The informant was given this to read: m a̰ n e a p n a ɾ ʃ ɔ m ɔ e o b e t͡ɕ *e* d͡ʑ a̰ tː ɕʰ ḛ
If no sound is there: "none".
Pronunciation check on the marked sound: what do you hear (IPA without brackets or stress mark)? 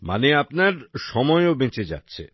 e